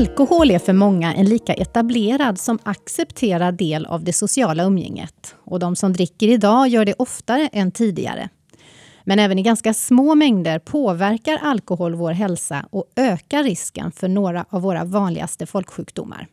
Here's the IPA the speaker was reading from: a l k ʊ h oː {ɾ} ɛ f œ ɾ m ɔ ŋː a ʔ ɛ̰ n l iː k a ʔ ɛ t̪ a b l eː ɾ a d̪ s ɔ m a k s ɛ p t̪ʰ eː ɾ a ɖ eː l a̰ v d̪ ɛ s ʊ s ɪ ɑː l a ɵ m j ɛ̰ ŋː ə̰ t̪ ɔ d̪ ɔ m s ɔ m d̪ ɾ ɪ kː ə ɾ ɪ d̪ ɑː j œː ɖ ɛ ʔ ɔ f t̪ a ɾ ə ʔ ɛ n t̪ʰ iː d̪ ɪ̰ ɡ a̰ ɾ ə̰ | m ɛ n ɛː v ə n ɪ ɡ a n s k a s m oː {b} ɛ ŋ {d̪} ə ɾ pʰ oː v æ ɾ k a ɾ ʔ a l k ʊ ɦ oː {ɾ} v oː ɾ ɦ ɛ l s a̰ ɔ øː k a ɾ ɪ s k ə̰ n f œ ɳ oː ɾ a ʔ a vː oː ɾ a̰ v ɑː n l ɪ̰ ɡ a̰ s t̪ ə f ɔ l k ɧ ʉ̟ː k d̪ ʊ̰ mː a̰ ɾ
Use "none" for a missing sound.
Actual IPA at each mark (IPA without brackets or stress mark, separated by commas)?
l, m, d̪, l